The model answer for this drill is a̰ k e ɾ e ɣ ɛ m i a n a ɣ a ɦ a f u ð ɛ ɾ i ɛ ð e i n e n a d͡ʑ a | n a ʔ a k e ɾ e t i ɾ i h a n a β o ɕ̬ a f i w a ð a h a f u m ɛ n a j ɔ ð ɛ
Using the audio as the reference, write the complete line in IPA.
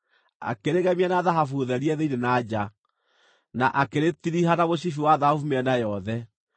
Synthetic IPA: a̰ k e ɾ e ɣ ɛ m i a n a ð a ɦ a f u ð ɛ ɾ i ɛ ð e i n e n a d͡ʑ a | n a ʔ a k e ɾ e t i ɾ i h a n a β o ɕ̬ i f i w a ð a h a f u m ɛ n a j ɔ ð ɛ

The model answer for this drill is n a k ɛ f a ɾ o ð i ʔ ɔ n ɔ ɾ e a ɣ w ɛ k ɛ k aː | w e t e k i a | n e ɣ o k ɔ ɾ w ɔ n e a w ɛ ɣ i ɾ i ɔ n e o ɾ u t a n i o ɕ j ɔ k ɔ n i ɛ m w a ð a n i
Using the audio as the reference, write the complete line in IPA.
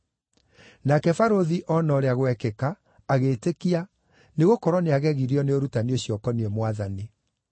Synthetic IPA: n a k ɛ f a ɾ o ð i ʔ ɔ n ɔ ɾ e a ɣ w ɛ k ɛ k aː | ɣ e t e k i a | n e ɣ o k ɔ ɾ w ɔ n e a ɣ ɛ ɣ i ɾ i ɔ n e o ɾ u t a n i o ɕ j ɔ k ɔ n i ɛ m w a ð a n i

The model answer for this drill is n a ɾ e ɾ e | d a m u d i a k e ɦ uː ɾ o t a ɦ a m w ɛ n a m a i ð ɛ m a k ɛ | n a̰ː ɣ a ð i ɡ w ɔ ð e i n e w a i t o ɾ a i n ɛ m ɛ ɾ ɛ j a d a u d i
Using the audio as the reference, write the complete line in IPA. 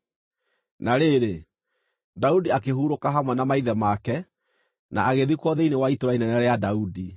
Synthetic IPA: n a ɾ e ɾ e | d a u d i a k e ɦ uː ɾ o k a ɦ a m w ɛ n a m a i ð ɛ m a k ɛ | n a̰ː ɣ e ð i k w ɔ ð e i n e w a i t o ɾ a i n ɛ n ɛ ɾ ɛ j a d a u d i

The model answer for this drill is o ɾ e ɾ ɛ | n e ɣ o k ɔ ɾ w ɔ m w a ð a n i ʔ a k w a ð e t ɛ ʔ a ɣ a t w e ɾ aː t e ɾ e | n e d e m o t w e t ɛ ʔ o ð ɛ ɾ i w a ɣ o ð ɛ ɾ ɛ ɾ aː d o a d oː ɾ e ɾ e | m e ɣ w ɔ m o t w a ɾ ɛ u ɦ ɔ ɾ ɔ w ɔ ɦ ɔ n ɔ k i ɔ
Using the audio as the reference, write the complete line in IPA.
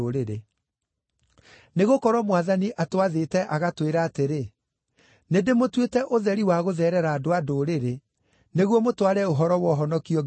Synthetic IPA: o ɾ e ɾ e | n e ɣ o k ɔ ɾ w ɔ m w a ð a n i ʔ a t w a ð e t ɛ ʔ a ɣ a t w e ɾ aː t e ɾ e | n e d e m o t w e t ɛ ʔ o ð ɛ ɾ i w a ɣ o ð ɛ ɾ ɛ ɾ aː d o a d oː ɾ e ɾ e | n e ɣ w ɔ m o t w a ɾ ɛ o ɦ ɔ ɾ ɔ w ɔ ɦ ɔ n ɔ k i ɔ

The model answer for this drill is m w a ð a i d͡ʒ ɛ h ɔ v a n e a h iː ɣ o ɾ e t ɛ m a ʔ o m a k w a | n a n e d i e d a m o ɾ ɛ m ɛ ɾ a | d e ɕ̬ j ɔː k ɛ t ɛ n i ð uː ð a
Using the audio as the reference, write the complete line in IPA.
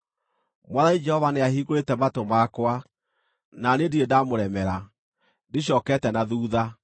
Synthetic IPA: m w a ð a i d͡ʒ ɛ h ɔ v a n e a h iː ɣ o ɾ e t ɛ m a t o m a k w a | n a n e d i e d a m o ɾ ɛ m ɛ ɾ a | d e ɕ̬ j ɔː k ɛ t ɛ n a ð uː ð a

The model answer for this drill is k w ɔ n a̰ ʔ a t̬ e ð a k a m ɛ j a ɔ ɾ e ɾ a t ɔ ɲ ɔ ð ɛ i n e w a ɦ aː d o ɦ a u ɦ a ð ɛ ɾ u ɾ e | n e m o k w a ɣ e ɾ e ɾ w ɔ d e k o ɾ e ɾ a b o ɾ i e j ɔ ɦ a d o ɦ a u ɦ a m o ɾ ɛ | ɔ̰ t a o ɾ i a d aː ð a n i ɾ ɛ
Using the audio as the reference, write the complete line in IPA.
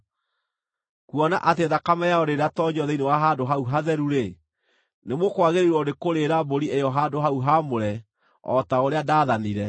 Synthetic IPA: k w ɔ n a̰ ʔ a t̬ e ð a k a m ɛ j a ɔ ɾ e ɾ a t ɔ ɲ ɔ ð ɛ i n e w a ɦ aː d o ɦ a u ɦ a ð ɛ ɾ u ɾ e | n e m o k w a ɣ e ɾ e ɾ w ɔ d e k o ɾ e ɾ a b o ɾ i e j ɔ ɦ a d o ɦ a u ɦ a m o ɾ ɛ | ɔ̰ t a o ɾ e a d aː ð a n i ɾ ɛ

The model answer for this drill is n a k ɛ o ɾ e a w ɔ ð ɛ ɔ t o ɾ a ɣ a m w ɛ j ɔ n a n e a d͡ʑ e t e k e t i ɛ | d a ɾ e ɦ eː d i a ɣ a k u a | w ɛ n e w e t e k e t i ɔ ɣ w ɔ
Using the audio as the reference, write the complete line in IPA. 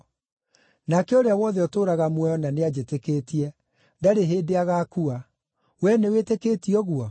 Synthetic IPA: n a k ɛ o ɾ e a w ɔ ð ɛ ɔ t o ɾ a ɣ a m w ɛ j ɔ n a n e a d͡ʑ e t e k e t i ɛ | d a ɾ e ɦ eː d e a ɣ a k u a | w ɛ n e w e t e k e t i ɔ ɣ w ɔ

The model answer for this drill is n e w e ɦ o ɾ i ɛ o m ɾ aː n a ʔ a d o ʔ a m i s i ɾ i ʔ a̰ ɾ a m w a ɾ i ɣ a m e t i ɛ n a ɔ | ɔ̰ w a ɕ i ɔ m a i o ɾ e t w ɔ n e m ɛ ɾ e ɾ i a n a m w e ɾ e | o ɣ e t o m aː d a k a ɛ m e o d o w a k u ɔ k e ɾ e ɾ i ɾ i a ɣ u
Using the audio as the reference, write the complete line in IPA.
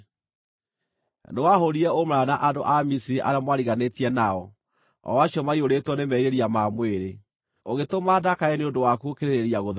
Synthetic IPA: n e w a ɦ o ɾ i ɛ o m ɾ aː n a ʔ a d o ʔ a m i s i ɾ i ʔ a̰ ɾ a m w a ɾ i ɣ a n e t i ɛ n a ɔ | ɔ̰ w a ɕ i ɔ m a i o ɾ e t w ɔ n e m ɛ ɾ e ɾ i a m a m w e ɾ e | o ɣ e t o m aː d a k a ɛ n e o d o w a k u o k e ɾ e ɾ e ɾ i a ɣ o

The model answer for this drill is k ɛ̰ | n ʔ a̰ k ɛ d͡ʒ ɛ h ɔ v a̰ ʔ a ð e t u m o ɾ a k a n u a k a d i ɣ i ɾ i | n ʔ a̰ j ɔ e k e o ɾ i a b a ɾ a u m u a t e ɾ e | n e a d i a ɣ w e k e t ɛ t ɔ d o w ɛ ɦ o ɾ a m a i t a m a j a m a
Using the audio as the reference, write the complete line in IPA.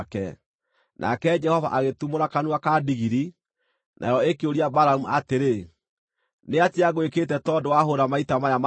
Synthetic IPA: k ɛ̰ | n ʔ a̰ k ɛ d͡ʒ ɛ h ɔ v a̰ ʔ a ɣ e t u m o ɾ a k a n u a k a d i ɣ i ɾ i | n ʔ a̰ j ɔ e k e o ɾ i a b a ɾ a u m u a t e ɾ e | n e a t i a ɣ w e k e t ɛ t ɔ d o w a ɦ o ɾ a m a i t a m a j a m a

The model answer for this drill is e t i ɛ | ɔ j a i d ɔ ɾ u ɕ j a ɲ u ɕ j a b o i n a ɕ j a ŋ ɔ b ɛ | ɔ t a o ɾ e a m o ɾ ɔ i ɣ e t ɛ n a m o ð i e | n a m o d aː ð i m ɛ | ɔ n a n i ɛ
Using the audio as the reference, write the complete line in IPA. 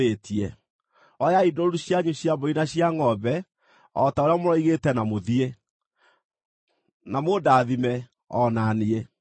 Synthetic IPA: e t i ɛ | ɔ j a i d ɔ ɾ u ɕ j a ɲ u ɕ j a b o i n a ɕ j a ŋ ɔ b ɛ | ɔ t a o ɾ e a m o ɾ ɔ i ɣ e t ɛ n a m o ð i e | n a m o d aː ð i m ɛ | ɔ n a n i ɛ

